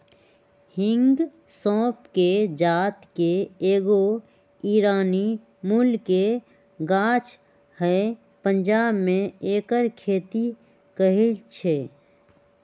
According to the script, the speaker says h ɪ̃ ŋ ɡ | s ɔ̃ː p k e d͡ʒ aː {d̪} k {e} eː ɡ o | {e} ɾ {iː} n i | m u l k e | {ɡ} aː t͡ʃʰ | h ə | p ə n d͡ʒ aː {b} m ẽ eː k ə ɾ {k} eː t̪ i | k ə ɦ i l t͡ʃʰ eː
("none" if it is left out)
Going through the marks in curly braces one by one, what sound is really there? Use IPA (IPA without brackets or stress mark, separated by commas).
t̪, e, i, aː, ɡ, b, kʰ